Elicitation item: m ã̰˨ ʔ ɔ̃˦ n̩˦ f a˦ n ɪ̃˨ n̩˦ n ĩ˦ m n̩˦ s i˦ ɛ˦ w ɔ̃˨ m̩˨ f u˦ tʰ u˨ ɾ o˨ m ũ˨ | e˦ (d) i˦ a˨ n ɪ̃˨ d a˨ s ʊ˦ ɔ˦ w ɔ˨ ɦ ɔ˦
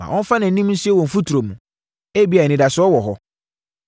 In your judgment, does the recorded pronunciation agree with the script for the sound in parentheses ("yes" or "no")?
no